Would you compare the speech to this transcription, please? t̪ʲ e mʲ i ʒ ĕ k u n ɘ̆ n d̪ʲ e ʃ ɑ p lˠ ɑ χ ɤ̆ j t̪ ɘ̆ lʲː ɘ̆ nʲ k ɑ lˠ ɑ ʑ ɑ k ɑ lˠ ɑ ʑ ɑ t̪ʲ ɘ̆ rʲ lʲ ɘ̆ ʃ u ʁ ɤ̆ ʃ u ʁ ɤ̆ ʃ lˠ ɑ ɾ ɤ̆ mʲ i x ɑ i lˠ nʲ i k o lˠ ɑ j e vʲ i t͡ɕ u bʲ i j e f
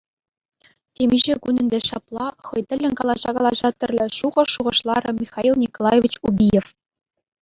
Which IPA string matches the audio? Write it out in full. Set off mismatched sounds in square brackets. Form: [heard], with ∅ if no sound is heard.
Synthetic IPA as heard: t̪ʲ e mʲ i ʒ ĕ k u n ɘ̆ n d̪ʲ e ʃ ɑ p lˠ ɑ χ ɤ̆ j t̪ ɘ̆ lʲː ɘ̆ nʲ k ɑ lˠ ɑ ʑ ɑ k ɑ lˠ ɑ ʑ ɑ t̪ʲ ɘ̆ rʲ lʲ ɘ̆ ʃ u ʁ ɤ̆ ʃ u ʁ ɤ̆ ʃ lˠ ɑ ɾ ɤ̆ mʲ i x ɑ i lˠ nʲ i k o lˠ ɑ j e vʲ i t͡ɕ u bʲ i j e f